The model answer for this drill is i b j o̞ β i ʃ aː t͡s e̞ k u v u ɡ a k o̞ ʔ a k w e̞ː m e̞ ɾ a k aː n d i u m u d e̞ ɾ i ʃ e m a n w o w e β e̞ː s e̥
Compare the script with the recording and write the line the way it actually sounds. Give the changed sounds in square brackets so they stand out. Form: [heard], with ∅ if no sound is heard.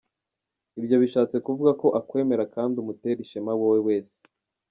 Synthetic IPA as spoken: i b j o̞ β i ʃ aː t͡s e̞ k u v u ɡ a k o̞ ʔ a k w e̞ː m e̞ ɾ a k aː n d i u m u [t] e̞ ɾ i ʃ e m a [∅] w o w e [w] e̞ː s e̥